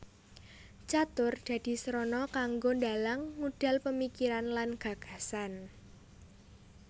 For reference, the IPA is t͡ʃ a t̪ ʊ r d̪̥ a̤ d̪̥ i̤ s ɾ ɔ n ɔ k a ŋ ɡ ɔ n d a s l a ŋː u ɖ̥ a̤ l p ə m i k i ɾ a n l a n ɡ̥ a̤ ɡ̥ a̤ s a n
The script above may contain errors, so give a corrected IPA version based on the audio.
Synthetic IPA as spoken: t͡ʃ a t̪ ʊ r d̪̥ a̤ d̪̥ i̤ s ɾ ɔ n ɔ k a ŋ ɡ o n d a l a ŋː u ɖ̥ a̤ l p ə m i k i ɾ a n l a n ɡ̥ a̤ ɡ̥ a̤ s a n